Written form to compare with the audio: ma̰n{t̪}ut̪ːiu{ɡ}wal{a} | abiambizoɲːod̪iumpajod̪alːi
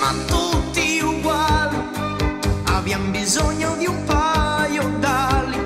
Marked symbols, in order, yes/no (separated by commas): yes, yes, no